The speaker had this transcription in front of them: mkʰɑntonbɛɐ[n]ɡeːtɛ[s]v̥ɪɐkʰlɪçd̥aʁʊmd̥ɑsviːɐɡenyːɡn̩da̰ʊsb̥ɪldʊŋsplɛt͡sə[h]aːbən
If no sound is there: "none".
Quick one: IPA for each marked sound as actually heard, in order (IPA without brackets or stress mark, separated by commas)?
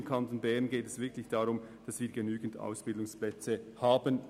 n, s, h